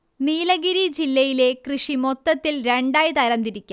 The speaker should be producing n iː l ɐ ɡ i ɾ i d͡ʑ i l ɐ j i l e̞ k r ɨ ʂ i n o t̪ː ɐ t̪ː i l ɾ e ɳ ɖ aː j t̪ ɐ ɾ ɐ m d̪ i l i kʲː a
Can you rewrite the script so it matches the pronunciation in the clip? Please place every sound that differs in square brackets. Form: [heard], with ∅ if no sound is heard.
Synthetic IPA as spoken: n iː l ɐ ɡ i ɾ i d͡ʑ i [lː] ɐ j i l e̞ k r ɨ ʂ i [m] o t̪ː ɐ t̪ː i l ɾ e ɳ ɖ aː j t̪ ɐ ɾ ɐ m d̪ i [ɾ] i kʲː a